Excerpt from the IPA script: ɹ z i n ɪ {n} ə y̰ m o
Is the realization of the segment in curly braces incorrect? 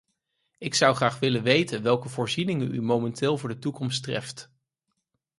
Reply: yes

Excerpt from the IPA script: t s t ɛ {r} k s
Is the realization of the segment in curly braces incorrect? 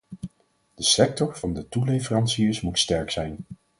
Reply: yes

